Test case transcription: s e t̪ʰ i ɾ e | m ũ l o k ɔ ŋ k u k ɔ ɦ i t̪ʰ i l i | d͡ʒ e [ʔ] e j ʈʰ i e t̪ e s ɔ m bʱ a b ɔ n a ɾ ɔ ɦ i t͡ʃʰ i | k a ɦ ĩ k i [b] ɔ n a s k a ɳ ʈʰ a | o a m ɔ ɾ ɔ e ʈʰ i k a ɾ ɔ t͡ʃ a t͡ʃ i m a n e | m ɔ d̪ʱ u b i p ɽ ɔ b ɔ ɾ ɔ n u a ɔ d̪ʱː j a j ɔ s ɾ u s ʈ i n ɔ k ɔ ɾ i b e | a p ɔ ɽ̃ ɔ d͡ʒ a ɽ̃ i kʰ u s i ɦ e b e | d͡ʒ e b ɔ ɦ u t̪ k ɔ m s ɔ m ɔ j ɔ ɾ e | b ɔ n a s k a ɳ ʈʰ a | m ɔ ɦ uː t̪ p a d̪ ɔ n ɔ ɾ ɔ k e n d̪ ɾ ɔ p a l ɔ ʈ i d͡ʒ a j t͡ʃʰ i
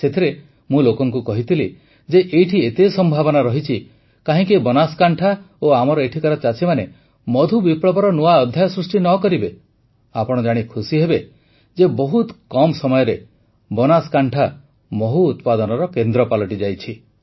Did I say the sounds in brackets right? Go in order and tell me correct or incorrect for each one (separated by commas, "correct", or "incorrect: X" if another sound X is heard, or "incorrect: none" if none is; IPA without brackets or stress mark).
correct, correct